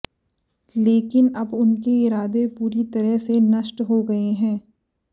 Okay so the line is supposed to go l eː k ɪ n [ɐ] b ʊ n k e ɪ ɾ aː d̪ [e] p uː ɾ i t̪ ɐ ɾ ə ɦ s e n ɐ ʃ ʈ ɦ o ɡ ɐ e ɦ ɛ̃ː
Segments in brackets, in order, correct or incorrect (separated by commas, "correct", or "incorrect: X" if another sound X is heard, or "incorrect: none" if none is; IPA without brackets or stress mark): correct, correct